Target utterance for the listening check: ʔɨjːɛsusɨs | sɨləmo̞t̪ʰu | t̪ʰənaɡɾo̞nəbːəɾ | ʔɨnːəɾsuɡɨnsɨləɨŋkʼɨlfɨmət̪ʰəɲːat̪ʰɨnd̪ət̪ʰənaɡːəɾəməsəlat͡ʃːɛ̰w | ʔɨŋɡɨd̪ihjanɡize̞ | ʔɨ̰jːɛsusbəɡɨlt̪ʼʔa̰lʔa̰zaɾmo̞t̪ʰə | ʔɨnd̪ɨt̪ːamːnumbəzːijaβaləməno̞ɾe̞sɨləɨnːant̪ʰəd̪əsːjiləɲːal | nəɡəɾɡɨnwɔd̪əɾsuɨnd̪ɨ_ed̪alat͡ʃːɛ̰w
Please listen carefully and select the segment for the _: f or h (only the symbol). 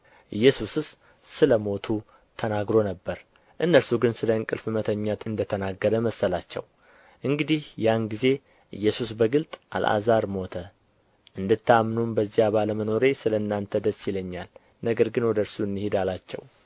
h